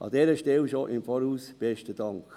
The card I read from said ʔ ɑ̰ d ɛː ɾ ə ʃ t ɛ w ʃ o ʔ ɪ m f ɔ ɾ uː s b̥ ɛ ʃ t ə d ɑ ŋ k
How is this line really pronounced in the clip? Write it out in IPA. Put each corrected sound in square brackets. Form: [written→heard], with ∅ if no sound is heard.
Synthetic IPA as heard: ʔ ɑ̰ d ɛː ɾ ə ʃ t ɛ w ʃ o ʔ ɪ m f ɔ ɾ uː s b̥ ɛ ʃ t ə d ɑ ŋ k